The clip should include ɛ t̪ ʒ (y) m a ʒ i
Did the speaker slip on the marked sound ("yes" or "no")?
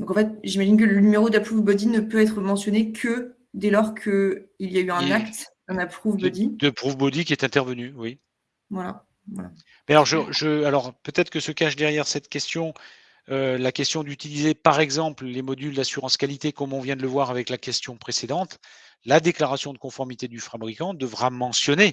yes